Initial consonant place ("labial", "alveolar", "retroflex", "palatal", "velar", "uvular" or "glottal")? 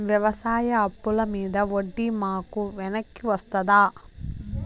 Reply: labial